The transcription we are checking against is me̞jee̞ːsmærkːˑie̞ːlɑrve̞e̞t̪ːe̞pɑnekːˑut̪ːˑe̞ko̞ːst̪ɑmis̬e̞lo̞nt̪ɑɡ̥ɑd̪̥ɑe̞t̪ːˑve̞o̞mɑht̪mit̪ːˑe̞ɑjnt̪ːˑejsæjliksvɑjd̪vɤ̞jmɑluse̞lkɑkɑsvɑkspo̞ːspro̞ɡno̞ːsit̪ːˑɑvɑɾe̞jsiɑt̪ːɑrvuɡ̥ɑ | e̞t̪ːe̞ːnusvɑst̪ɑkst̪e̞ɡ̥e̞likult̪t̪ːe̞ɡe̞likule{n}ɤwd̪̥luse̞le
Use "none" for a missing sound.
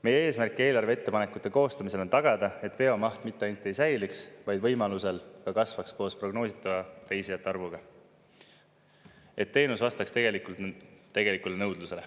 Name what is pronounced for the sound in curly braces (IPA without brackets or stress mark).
n